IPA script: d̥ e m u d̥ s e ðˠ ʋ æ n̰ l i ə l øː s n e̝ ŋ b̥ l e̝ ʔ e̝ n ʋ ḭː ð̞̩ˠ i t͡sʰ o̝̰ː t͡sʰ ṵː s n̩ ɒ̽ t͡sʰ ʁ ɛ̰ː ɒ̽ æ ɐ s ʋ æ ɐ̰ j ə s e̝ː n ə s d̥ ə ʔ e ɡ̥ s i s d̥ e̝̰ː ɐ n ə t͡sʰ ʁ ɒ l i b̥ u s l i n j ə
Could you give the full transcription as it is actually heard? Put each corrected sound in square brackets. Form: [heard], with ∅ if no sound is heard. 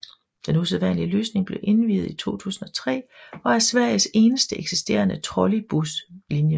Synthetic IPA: d̥ e [n] u [∅] s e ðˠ ʋ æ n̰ l i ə l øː s n e̝ ŋ b̥ l e̝ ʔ e̝ n ʋ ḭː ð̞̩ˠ i t͡sʰ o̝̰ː t͡sʰ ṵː s n̩ ɒ̽ t͡sʰ ʁ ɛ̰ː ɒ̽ æ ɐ s ʋ æ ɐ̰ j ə s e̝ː n ə s d̥ ə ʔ e ɡ̥ s i s d̥ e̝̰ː ɐ n ə t͡sʰ ʁ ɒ l i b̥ u s l i n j ə